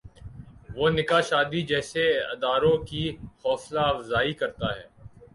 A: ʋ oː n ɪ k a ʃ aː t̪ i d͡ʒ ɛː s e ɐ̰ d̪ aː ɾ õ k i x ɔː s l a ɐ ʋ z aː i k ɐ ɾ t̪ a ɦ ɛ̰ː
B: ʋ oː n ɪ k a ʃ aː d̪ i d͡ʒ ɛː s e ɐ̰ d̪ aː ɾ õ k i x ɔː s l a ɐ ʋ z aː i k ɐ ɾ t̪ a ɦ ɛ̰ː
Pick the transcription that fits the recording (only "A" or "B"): B